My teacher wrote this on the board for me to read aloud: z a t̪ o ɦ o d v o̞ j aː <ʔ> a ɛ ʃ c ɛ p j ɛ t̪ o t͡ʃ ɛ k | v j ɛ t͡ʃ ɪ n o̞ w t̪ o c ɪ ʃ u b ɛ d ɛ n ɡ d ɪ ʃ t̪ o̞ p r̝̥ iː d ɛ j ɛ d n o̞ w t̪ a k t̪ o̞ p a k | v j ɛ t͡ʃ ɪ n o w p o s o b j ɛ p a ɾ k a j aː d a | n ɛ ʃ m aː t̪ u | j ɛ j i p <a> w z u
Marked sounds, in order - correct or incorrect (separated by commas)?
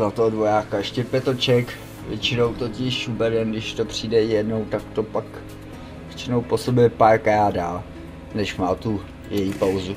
incorrect, correct